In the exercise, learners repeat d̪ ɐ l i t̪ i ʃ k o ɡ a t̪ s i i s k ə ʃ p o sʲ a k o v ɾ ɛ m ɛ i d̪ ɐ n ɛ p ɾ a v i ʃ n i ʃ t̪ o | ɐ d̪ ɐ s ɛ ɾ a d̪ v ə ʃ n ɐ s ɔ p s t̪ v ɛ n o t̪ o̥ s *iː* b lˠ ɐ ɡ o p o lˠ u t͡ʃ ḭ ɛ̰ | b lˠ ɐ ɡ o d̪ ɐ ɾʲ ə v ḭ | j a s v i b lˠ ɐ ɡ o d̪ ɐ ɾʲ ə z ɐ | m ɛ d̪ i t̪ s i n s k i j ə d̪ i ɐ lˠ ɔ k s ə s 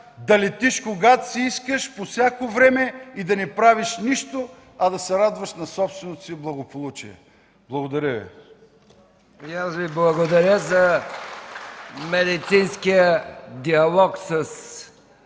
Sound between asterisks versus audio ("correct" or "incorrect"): incorrect